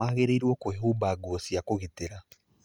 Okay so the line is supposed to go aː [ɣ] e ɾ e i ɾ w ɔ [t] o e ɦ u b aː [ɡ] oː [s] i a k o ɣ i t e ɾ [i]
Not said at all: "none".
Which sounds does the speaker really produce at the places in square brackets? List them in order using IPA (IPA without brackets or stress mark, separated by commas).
ɣ, k, ɡ, s, a